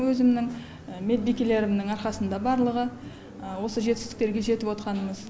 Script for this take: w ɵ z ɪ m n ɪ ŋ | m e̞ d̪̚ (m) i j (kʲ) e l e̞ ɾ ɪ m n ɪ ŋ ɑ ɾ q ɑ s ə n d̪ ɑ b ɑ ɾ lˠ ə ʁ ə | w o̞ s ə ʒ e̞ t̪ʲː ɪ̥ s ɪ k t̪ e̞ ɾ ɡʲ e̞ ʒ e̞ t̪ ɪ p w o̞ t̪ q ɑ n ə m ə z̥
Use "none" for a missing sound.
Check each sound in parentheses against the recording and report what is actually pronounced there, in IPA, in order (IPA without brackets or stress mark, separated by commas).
b, kʲ